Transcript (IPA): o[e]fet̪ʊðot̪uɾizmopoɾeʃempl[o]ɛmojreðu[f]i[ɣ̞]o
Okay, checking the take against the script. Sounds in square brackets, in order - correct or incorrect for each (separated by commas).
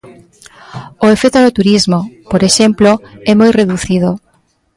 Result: correct, correct, incorrect, incorrect